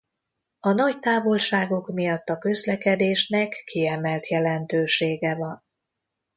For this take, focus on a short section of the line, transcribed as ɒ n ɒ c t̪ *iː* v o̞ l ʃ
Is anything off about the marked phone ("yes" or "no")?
yes